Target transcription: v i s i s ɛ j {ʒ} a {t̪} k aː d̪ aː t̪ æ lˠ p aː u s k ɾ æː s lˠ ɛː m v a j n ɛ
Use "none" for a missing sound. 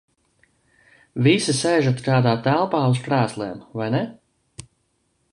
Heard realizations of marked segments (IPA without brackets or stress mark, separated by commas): ʒ, t̪